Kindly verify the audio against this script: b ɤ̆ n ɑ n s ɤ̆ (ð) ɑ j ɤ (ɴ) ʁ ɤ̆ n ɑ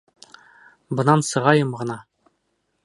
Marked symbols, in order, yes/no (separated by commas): no, no